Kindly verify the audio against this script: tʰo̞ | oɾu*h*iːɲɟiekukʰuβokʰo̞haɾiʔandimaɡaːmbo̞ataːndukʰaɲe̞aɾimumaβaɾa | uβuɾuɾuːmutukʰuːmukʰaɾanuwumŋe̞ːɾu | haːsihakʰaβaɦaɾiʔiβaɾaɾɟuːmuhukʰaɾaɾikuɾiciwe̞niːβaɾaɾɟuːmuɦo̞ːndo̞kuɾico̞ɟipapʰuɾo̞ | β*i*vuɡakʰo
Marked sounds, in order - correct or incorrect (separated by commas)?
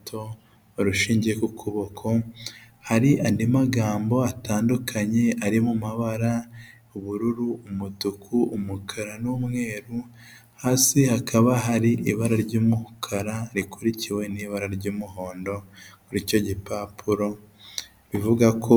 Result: incorrect, correct